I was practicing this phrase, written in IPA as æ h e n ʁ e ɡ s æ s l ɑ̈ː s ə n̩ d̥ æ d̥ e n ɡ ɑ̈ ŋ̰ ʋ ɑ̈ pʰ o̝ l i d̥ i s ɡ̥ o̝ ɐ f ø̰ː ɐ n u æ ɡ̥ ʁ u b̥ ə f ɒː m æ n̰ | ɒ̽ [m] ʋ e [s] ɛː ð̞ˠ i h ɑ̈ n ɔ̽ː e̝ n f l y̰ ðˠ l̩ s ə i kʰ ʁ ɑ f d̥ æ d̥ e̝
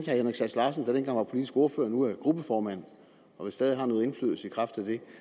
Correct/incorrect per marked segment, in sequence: incorrect: none, correct

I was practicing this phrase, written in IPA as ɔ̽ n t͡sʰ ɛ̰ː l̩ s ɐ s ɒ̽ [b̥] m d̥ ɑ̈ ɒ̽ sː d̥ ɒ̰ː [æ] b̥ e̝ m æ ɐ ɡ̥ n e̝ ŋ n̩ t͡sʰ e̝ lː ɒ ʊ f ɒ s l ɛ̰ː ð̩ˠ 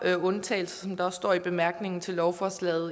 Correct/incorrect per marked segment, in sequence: incorrect: none, incorrect: i

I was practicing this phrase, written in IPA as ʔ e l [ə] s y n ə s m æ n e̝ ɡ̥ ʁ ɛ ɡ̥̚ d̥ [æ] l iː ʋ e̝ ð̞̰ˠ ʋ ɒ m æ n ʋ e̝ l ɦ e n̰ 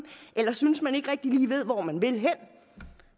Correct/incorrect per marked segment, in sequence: incorrect: ɐ, incorrect: i

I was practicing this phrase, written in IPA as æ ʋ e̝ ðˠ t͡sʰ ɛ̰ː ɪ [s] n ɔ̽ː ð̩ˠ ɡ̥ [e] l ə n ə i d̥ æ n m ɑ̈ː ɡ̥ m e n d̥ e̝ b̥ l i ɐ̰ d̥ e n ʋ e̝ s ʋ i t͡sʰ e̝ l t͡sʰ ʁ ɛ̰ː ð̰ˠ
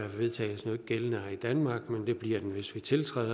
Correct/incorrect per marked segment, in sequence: correct, correct

